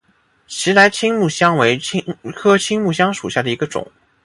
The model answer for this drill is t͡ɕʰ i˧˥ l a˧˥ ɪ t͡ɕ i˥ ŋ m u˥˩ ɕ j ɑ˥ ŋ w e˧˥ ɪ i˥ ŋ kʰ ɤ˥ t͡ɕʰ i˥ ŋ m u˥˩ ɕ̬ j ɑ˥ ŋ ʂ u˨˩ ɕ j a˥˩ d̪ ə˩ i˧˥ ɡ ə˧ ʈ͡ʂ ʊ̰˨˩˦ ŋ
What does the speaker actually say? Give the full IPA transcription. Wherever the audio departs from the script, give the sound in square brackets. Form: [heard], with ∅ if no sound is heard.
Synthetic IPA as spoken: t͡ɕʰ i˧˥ l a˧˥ ɪ [t͡ɕʰ] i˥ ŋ m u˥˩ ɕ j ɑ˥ ŋ w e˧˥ ɪ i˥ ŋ kʰ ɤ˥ t͡ɕʰ i˥ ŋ m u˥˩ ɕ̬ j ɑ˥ ŋ ʂ u˨˩ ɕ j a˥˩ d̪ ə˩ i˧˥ ɡ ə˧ ʈ͡ʂ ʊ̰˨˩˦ ŋ